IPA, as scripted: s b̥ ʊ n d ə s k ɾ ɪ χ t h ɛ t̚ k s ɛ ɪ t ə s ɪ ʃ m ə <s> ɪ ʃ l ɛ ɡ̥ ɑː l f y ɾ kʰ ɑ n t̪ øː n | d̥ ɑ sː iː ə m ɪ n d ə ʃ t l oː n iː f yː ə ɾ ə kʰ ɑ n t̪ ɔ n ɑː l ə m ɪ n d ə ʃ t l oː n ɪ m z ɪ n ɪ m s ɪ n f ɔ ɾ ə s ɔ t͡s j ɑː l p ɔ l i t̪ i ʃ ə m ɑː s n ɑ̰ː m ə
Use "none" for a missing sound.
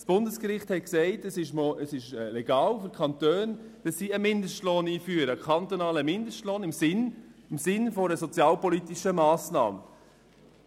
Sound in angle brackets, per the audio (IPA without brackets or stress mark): s